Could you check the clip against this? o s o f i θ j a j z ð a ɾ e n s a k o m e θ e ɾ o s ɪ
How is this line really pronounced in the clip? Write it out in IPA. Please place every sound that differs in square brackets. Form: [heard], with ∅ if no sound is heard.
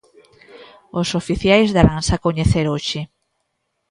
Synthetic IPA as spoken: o s o f i θ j a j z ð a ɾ [a] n s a k o [ɲ] e θ e ɾ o [ʃ] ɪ